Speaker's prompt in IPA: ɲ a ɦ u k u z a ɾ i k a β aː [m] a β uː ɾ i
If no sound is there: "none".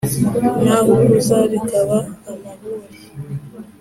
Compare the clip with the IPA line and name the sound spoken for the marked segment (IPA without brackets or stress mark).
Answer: m